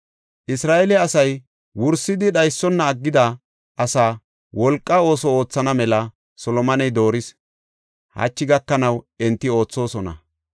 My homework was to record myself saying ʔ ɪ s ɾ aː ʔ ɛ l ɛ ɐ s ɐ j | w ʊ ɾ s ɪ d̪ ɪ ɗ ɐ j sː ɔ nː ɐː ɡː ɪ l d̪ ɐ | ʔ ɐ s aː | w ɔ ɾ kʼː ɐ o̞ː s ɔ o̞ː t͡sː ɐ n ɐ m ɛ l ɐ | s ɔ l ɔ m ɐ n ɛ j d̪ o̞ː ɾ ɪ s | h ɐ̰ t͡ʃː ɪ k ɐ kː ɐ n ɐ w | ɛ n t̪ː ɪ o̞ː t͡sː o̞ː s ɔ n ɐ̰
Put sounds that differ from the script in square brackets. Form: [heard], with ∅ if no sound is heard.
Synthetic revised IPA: ʔ ɪ s ɾ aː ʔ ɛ l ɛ ɐ s ɐ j | w ʊ ɾ s ɪ d̪ ɪ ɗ ɐ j sː ɔ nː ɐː ɡː ɪ [∅] d̪ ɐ | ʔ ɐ s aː | w ɔ [l] kʼː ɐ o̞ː s ɔ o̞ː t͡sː ɐ n ɐ m ɛ l ɐ | s ɔ l ɔ m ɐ n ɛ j d̪ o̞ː ɾ ɪ s | h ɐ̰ t͡ʃː ɪ [ɡ] ɐ kː ɐ n ɐ w | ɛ n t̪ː ɪ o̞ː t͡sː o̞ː s ɔ n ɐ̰